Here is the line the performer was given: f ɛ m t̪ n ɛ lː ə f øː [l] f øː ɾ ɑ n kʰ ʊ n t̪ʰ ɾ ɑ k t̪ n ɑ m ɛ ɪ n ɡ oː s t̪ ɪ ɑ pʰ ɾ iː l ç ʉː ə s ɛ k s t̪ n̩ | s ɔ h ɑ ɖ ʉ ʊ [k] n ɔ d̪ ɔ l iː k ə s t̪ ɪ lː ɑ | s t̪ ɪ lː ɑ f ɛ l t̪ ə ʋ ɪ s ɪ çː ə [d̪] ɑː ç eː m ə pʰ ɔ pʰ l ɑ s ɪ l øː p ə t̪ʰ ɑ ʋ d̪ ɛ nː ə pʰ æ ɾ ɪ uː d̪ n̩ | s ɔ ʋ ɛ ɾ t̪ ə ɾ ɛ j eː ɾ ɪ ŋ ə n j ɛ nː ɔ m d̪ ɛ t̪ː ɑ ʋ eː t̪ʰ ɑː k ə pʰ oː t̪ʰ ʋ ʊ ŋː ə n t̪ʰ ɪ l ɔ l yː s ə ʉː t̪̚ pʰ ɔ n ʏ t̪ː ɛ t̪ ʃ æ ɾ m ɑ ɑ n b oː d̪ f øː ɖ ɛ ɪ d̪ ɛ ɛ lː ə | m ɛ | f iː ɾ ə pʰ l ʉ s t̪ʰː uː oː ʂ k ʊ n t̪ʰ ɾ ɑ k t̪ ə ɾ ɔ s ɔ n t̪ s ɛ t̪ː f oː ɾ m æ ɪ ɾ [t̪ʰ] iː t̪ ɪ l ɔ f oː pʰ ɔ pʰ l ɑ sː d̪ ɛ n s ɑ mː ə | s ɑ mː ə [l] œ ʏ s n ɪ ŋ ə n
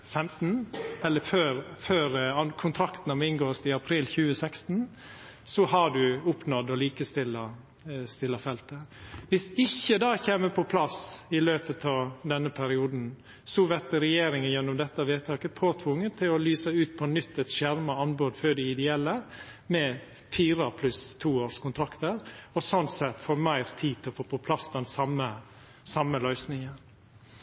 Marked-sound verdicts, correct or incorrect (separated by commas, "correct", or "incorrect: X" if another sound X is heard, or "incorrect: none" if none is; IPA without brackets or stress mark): incorrect: ɾ, incorrect: p, correct, correct, correct